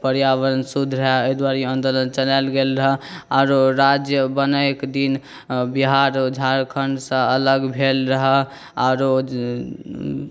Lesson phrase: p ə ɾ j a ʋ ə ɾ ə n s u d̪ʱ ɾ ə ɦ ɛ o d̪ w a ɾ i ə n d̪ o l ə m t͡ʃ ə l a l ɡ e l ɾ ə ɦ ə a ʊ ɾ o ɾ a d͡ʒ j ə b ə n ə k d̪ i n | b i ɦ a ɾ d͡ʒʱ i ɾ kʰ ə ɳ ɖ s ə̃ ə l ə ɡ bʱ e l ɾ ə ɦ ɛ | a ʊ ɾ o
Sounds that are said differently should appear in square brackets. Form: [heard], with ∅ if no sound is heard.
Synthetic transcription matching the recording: p ə ɾ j a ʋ ə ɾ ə n s u d̪ʱ ɾ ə ɦ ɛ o d̪ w a ɾ i ə n d̪ o l ə [n] t͡ʃ ə l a l ɡ e l ɾ ə ɦ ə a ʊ ɾ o ɾ a d͡ʒ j ə b ə n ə k d̪ i n | b i ɦ a ɾ d͡ʒʱ [a] ɾ kʰ ə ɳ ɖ s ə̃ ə l ə ɡ bʱ e l ɾ ə ɦ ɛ | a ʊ ɾ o

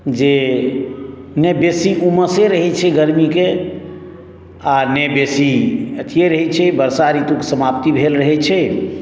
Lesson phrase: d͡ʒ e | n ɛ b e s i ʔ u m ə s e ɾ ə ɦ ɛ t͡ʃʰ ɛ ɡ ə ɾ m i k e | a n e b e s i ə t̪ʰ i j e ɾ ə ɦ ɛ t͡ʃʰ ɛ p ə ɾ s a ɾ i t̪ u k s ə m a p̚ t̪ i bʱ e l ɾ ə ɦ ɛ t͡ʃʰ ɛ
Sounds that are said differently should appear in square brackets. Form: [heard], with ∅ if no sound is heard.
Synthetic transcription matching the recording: d͡ʒ e | n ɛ b e s i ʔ u m ə s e ɾ ə ɦ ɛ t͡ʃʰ ɛ ɡ ə ɾ m i k e | a n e b e s i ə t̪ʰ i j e ɾ ə ɦ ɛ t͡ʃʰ ɛ [b] ə ɾ s a ɾ i t̪ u k s ə m a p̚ t̪ i bʱ e l ɾ ə ɦ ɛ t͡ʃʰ ɛ

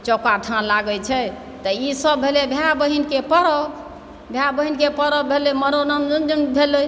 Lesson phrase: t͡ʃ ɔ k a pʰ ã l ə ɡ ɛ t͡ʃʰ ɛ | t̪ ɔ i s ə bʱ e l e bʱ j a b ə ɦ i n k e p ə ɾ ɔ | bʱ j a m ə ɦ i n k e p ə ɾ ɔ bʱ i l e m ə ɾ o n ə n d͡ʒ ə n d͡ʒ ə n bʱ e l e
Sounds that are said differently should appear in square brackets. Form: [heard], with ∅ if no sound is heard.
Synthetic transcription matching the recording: t͡ʃ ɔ k a [ʈʰ] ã l [a] ɡ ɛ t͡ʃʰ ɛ | t̪ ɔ i s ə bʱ e l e bʱ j a b ə ɦ i n k e p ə ɾ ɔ | bʱ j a [b] ə ɦ i n k e p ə ɾ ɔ bʱ [e] l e m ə ɾ o n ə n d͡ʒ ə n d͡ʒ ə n bʱ e l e

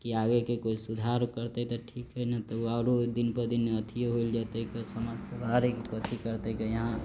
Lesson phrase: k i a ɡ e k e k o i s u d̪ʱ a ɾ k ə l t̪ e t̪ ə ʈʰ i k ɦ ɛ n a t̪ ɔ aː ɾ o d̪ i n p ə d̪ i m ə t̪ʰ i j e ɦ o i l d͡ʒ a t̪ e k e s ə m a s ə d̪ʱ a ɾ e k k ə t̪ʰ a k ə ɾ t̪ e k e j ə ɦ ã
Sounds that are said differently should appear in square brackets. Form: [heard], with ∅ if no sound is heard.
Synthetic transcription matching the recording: k i a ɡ e k e k o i s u d̪ʱ a ɾ k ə [ɾ] t̪ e t̪ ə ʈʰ i k ɦ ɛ n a t̪ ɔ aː ɾ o d̪ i n p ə d̪ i [n] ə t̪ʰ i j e ɦ o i l d͡ʒ a t̪ e k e s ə m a s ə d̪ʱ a ɾ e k k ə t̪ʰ [i] k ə ɾ t̪ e k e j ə ɦ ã

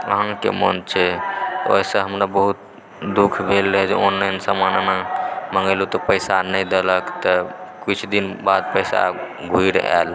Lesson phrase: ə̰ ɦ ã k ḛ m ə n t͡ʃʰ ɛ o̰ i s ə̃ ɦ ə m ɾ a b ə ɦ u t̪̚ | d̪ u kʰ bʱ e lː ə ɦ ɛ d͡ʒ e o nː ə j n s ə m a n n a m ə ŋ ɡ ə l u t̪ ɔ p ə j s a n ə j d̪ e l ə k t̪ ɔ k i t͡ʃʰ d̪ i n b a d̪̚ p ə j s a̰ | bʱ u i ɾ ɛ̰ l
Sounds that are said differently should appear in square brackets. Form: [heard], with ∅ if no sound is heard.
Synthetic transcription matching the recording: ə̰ ɦ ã k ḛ m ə n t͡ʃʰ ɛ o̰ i s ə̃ ɦ ə m ɾ a b ə ɦ u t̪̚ | d̪ u kʰ bʱ e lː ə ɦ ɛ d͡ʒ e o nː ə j n s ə m a n n a m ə ŋ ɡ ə l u t̪ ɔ p ə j s a n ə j d̪ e l ə k t̪ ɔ k i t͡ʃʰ d̪ i n b a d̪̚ p ə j s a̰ | [ɡʱ] u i ɾ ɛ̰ l

